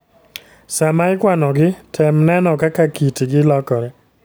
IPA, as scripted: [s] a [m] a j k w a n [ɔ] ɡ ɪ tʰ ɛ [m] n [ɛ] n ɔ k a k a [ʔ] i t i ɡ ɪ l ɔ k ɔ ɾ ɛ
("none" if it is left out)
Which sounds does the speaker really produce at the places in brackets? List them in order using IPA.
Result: s, m, ɔ, m, ɛ, k

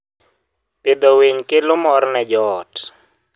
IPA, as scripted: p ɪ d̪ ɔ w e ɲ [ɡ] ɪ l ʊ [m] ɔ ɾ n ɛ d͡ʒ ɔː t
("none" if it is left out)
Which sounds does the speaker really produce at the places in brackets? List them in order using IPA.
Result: k, m

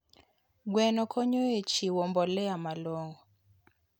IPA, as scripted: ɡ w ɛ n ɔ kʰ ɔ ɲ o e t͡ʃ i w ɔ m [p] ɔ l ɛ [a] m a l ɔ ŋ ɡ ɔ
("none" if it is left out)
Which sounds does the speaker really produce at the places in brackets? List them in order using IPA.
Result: b, a

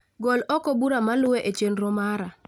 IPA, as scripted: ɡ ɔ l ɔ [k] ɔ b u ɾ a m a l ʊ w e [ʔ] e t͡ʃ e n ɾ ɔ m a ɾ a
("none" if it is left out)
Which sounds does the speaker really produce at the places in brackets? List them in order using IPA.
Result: k, ʔ

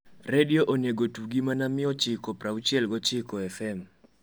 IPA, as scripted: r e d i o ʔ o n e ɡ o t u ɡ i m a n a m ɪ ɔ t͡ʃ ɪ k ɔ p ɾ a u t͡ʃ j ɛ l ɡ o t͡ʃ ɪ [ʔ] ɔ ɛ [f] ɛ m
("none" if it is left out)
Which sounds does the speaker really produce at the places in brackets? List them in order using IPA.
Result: k, f

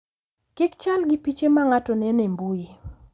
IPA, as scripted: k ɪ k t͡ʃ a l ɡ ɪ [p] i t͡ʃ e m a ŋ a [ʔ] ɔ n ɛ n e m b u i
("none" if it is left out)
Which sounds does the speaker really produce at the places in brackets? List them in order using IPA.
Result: p, t

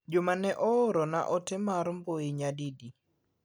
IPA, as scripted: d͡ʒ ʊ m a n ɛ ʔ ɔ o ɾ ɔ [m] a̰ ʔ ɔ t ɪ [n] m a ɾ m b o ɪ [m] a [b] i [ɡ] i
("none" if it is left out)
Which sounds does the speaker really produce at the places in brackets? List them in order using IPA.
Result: n, none, ɲ, d, d

